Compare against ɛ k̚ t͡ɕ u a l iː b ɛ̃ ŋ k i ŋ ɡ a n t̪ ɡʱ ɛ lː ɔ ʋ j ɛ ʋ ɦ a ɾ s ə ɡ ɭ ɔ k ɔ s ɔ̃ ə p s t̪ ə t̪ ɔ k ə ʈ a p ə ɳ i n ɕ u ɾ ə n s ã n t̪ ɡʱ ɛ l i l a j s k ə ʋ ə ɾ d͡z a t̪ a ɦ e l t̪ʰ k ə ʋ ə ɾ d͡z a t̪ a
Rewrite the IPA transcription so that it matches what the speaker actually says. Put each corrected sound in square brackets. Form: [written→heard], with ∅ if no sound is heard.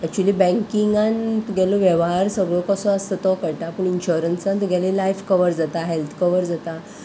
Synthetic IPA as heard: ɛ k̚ t͡ɕ u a l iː b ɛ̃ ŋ k i ŋ ɡ a n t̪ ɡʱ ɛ [lː→l] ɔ ʋ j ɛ ʋ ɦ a ɾ s ə ɡ ɭ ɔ k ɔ s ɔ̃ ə [p→∅] s t̪ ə t̪ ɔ k ə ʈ a p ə ɳ i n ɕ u ɾ ə n s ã n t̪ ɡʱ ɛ l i l a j [s→f] k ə ʋ ə ɾ d͡z a t̪ a ɦ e l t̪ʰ k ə ʋ ə ɾ d͡z a t̪ a